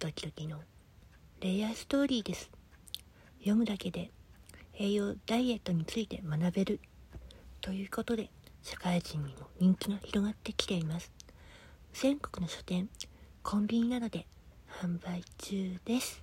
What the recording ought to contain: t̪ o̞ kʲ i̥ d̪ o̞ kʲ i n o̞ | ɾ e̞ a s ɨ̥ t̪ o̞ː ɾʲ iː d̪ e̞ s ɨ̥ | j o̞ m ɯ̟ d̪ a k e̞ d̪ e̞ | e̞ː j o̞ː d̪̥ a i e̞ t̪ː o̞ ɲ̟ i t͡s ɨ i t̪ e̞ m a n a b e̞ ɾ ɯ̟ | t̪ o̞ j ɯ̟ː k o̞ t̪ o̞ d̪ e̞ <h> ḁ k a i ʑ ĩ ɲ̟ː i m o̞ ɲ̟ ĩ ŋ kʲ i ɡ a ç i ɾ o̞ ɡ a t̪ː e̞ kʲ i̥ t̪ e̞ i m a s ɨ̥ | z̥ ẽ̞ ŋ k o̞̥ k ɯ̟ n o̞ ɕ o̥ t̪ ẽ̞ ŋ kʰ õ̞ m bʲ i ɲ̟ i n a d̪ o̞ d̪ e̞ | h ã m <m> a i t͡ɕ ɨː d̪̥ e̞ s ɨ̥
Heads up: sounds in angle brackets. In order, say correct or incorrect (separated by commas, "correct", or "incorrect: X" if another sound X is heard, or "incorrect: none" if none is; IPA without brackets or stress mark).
incorrect: ɕ, incorrect: b